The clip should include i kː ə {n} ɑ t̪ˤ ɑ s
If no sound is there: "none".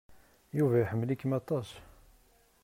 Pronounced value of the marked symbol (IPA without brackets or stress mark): m